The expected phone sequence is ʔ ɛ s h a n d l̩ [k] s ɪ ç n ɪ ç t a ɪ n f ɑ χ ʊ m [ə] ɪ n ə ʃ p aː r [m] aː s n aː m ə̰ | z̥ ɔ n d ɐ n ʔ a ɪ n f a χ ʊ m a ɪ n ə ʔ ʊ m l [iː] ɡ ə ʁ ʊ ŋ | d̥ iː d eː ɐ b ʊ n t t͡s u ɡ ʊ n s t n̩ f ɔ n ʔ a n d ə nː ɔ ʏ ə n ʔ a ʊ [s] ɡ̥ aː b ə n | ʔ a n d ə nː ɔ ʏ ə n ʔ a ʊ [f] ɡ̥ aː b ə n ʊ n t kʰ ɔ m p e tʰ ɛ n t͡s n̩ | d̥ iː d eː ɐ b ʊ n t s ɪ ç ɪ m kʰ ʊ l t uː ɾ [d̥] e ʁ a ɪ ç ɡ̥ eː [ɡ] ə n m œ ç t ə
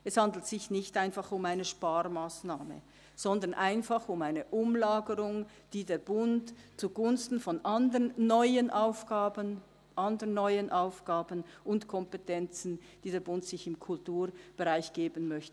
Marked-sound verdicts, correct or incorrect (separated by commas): incorrect, incorrect, correct, incorrect, incorrect, correct, incorrect, incorrect